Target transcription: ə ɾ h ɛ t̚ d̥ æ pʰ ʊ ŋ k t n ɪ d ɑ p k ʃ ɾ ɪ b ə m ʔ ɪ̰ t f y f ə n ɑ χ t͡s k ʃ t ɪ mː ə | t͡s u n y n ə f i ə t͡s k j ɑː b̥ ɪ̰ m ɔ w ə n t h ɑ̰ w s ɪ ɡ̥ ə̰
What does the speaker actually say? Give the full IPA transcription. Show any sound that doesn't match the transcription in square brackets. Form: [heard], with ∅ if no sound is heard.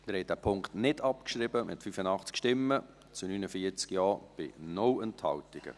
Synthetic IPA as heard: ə ɾ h ɛ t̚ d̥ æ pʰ ʊ ŋ k t n ɪ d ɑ p k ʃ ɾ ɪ b ə m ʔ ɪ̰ t f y f ə n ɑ χ t͡s k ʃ t ɪ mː ə | t͡s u n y n ə f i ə t͡s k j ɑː b̥ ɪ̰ [n] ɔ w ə n t h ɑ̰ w [t] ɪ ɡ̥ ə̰